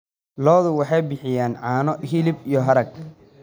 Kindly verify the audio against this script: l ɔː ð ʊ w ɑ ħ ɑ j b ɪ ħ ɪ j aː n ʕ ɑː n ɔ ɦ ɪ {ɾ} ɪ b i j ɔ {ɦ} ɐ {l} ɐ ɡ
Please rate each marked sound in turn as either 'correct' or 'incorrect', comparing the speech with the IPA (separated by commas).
incorrect, correct, incorrect